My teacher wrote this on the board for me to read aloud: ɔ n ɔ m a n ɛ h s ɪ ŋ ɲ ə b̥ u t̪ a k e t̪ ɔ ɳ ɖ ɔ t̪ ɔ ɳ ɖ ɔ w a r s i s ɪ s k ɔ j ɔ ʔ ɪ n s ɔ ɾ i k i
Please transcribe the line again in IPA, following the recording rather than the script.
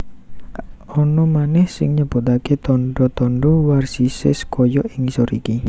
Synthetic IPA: ɔ n ɔ m a n ɛ h s ɪ ŋ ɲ ə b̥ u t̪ a k e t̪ ɔ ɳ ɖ ɔ t̪ ɔ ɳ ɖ ɔ w a r s i s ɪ s k ɔ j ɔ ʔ ɪ ŋ s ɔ ɾ i k i